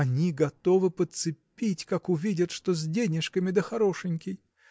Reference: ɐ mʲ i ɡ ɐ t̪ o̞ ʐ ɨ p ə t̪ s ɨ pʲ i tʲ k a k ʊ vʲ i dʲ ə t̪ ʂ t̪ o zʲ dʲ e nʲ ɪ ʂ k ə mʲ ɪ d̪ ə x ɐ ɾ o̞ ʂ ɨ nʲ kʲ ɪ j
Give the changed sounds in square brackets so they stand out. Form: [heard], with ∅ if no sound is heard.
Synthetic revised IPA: ɐ [nʲ] i ɡ ɐ t̪ o̞ [v] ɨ p ə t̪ s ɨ pʲ i tʲ k a k ʊ vʲ i dʲ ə t̪ ʂ t̪ o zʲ dʲ e nʲ ɪ ʂ k ə mʲ ɪ d̪ ə x ɐ ɾ o̞ ʂ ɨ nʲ kʲ ɪ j